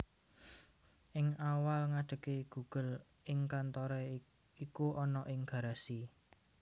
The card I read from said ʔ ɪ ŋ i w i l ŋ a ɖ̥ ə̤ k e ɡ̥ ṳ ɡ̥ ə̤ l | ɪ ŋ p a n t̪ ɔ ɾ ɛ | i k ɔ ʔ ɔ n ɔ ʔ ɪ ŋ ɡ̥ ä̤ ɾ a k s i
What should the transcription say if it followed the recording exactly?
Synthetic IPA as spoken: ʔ ɪ ŋ a w a l ŋ a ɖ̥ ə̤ k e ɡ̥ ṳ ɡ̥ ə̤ l | ɪ ŋ k a n t̪ ɔ ɾ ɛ | i k u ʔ ɔ n ɔ ʔ ɪ ŋ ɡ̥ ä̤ ɾ a s i